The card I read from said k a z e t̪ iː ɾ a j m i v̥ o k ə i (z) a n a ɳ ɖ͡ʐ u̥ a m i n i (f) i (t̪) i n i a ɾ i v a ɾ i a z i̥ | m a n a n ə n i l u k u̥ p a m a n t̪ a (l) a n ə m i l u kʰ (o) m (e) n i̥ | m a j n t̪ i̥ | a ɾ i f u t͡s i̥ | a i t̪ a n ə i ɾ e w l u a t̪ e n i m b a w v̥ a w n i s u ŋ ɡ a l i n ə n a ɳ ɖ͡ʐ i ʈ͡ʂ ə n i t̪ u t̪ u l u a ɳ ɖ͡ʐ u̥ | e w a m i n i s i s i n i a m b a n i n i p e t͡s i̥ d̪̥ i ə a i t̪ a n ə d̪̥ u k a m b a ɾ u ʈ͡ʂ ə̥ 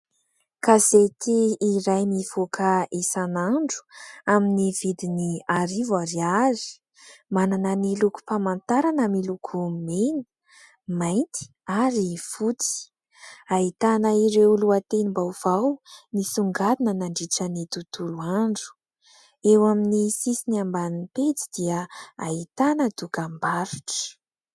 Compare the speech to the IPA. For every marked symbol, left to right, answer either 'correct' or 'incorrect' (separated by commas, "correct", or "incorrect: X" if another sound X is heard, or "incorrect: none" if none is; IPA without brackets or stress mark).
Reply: incorrect: s, incorrect: v, incorrect: d̪, incorrect: ɾ, incorrect: u, correct